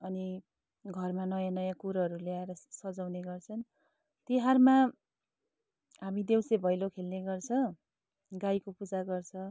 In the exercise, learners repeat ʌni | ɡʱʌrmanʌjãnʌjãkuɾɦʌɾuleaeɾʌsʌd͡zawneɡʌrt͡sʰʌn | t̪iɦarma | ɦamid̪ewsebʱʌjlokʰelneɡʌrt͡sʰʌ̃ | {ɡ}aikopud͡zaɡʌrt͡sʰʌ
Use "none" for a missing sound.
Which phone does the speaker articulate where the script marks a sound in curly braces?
ɡ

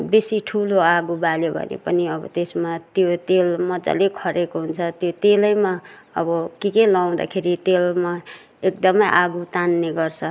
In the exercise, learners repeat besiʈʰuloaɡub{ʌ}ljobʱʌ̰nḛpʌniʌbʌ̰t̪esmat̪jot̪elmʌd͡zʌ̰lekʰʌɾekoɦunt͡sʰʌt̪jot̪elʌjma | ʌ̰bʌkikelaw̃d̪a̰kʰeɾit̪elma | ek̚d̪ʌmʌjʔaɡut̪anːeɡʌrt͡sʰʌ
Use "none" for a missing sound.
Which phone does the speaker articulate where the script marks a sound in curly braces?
a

